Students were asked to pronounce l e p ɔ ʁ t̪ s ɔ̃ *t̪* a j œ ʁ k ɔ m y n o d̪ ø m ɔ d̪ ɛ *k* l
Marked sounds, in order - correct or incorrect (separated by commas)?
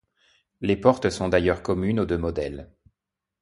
incorrect, incorrect